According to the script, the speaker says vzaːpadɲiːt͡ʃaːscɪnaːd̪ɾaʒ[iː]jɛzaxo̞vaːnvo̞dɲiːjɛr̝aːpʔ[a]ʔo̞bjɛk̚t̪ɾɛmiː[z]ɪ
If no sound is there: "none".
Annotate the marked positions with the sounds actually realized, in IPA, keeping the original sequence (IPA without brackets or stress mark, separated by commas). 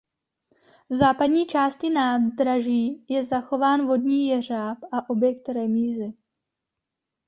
iː, a, z